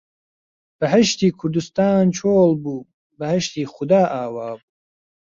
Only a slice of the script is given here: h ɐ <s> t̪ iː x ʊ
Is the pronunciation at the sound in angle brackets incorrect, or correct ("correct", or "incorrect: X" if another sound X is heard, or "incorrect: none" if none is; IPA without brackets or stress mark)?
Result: incorrect: ʃ